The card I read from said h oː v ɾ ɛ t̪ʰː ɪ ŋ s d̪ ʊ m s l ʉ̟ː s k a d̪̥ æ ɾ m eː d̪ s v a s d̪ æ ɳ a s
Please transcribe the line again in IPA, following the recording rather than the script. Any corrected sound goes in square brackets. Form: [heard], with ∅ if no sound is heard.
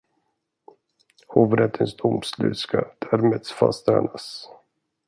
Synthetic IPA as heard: h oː v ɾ ɛ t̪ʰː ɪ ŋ s d̪ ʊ m s l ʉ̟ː s k a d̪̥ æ ɾ m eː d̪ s [f] a s [t̪] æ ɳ a s